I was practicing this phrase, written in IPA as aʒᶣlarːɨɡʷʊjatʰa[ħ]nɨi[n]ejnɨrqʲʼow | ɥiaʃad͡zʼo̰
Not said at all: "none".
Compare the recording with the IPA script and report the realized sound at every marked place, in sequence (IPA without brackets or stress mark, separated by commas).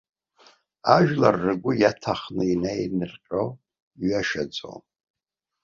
χ, n